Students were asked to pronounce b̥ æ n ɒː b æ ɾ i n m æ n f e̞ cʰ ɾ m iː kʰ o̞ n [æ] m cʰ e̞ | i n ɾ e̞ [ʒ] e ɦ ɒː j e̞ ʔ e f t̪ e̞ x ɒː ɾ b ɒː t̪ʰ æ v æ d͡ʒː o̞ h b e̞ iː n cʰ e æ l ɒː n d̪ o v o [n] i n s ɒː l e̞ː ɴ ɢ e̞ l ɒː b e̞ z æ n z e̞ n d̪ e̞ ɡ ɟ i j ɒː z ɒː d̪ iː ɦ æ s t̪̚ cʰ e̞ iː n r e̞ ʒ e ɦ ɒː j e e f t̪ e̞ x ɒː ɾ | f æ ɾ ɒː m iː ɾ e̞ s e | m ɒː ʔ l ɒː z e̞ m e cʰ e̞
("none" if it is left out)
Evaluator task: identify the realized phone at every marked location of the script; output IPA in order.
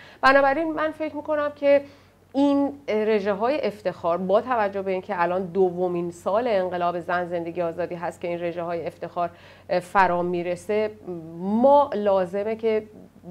æ, ʒ, m

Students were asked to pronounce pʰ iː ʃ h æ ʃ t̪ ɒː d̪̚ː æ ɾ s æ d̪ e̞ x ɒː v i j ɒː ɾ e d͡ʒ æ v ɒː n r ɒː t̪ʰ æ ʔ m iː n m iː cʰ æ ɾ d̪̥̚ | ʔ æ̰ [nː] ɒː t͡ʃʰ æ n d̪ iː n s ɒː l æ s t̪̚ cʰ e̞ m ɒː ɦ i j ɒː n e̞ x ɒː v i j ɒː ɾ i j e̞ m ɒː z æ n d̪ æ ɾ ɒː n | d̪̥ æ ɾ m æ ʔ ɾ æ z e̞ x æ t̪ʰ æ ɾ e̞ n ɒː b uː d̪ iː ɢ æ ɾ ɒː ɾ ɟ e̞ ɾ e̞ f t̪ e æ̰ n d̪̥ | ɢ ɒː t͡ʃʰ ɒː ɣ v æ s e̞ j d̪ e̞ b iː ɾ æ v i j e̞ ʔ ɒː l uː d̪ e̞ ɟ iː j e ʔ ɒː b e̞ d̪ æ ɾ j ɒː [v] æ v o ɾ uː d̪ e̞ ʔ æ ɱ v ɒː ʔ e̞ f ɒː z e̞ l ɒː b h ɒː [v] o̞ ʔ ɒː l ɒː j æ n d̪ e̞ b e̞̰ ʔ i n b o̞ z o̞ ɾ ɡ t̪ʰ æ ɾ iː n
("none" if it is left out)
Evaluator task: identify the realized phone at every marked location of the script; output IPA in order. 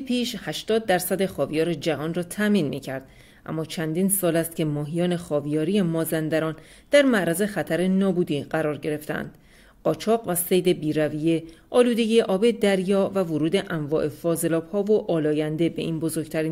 mː, v, v

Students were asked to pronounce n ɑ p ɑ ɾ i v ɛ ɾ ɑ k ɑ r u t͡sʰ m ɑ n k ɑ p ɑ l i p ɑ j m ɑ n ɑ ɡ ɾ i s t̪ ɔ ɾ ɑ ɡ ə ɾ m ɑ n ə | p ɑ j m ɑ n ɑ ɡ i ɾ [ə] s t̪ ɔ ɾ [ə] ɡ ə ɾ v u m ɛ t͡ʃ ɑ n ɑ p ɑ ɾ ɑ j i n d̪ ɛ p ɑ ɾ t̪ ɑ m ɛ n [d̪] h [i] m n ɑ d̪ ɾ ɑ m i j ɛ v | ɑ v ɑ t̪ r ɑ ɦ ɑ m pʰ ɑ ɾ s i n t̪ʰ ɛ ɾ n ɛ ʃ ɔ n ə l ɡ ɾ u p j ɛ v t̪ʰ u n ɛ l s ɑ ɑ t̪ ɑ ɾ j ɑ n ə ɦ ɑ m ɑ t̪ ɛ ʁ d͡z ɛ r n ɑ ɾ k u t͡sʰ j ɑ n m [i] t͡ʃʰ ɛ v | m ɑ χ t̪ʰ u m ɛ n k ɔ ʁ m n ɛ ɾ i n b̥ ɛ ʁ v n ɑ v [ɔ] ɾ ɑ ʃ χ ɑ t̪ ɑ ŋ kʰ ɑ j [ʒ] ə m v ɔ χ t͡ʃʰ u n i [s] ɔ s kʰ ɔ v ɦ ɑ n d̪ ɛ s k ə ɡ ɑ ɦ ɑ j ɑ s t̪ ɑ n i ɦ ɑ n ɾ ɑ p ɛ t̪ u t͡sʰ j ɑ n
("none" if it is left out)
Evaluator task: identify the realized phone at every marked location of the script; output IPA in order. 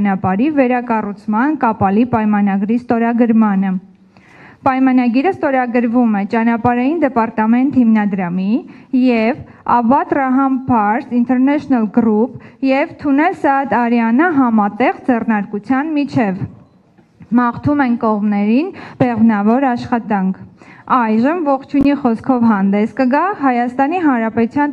ə, ɑ, t̪, i, i, ɔ, ʒ, χ

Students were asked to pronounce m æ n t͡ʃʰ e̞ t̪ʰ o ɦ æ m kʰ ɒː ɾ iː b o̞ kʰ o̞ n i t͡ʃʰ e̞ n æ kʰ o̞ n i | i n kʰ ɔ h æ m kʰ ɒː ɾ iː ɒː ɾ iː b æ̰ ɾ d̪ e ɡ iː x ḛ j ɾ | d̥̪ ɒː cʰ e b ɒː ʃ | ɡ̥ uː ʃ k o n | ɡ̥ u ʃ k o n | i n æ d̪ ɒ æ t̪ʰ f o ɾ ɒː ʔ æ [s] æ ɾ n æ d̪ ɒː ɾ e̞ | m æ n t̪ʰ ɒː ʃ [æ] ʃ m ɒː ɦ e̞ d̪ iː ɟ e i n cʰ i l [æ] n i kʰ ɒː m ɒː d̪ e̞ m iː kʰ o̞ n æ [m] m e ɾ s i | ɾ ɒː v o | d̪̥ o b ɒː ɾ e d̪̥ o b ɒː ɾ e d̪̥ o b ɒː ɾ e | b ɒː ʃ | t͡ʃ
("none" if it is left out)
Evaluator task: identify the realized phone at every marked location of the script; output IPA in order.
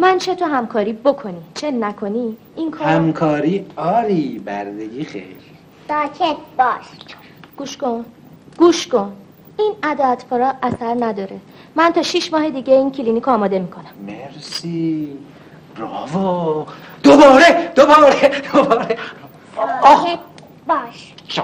s, i, i, m

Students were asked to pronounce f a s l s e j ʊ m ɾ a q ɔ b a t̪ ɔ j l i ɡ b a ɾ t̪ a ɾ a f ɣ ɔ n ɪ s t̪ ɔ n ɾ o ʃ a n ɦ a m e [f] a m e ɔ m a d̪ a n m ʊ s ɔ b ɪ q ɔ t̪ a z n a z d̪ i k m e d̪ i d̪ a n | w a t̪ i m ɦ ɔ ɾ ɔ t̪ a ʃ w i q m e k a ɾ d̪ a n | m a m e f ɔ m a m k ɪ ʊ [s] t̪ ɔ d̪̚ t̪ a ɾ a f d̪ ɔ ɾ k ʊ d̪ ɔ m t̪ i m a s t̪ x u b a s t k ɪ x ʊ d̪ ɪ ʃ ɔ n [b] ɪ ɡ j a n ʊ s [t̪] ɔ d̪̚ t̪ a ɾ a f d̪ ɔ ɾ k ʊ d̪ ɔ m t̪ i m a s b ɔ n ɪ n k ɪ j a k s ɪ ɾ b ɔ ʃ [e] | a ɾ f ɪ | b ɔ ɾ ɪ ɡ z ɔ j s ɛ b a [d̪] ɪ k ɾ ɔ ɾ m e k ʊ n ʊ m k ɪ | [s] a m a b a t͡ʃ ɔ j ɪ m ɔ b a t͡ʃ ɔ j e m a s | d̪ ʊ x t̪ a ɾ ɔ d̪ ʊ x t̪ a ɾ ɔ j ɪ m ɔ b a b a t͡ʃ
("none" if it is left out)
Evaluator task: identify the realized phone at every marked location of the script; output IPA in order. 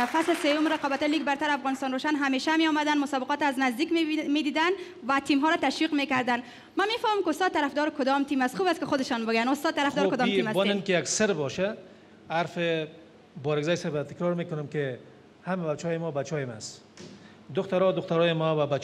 ʃ, s, b, t̪, a, t̪, h

